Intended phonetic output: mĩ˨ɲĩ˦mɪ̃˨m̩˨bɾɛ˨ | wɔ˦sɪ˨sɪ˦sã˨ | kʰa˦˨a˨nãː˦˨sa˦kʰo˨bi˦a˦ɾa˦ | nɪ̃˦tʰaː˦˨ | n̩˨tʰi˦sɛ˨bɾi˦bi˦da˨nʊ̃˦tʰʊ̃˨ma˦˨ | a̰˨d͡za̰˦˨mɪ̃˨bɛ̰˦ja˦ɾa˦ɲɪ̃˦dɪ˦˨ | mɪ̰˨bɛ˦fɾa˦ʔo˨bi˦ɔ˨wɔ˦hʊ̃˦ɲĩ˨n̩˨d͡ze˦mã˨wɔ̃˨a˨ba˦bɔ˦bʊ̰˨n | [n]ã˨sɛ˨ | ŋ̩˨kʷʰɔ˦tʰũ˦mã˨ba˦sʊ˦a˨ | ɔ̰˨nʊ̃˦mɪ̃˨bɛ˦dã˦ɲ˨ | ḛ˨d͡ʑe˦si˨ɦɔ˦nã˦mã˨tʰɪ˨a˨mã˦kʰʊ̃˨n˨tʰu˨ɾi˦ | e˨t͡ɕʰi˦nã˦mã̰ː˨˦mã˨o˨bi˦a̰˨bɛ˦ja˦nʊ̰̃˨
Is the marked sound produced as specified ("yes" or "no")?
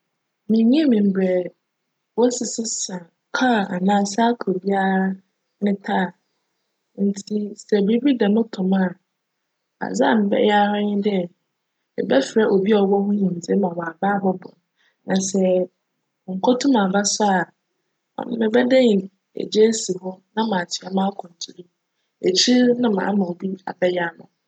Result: yes